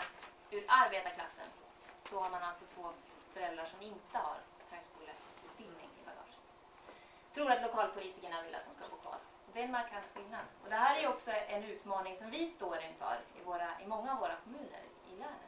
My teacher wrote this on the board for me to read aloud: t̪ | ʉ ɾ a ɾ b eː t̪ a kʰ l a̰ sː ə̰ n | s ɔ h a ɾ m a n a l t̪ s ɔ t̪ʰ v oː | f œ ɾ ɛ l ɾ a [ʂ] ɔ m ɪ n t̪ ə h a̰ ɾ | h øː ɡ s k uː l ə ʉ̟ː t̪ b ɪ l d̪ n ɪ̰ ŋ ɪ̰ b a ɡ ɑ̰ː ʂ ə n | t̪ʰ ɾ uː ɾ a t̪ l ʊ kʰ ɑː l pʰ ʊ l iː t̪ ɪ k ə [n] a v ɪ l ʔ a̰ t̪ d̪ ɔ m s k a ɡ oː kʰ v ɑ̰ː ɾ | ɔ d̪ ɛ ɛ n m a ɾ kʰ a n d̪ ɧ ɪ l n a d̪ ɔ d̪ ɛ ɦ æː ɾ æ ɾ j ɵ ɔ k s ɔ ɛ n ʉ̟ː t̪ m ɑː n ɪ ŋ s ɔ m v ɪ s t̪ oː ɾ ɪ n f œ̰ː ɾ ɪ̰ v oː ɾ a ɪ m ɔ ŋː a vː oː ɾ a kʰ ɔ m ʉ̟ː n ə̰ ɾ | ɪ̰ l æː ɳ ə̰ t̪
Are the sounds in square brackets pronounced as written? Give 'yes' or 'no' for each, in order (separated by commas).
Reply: yes, no